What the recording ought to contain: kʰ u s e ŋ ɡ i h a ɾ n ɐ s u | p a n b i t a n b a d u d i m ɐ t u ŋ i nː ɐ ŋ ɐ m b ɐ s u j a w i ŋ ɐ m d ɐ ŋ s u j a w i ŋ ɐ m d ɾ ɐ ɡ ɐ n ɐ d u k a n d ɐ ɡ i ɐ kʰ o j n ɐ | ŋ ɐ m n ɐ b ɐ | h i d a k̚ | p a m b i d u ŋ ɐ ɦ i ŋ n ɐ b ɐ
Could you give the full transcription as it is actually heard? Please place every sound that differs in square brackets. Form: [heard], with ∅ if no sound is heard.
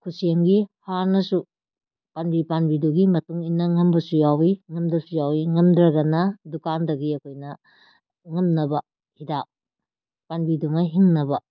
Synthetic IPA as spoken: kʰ u s e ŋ ɡ i h a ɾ n ɐ s u | p a n b i [p] a n b [i] d u [ɡ] i m ɐ t u ŋ i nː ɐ ŋ ɐ m b ɐ s u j a w i ŋ ɐ m d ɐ [∅] s u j a w i ŋ ɐ m d ɾ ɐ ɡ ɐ n ɐ d u k a n d ɐ ɡ i ɐ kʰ o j n ɐ | ŋ ɐ m n ɐ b ɐ | h i d a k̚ | p a [n] b i d u ŋ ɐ ɦ i ŋ n ɐ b ɐ